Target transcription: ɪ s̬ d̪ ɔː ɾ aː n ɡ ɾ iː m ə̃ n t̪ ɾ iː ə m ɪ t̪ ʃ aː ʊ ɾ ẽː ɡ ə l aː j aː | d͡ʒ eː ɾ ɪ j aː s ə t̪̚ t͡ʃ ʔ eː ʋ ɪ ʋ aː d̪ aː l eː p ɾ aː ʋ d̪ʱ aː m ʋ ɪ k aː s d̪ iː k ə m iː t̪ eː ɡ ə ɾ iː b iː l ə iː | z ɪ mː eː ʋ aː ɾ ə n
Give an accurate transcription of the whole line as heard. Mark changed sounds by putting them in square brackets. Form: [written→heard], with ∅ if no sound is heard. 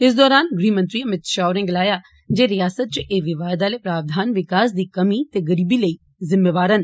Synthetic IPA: ɪ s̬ d̪ ɔː ɾ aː n ɡ ɾ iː m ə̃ n t̪ ɾ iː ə m ɪ t̪ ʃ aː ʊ ɾ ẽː ɡ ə l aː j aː | d͡ʒ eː ɾ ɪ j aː s ə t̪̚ t͡ʃ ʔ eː ʋ ɪ ʋ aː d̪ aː l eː p ɾ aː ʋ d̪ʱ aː [m→n] ʋ ɪ k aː s d̪ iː k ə m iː t̪ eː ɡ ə ɾ iː b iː l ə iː | z ɪ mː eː ʋ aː ɾ ə n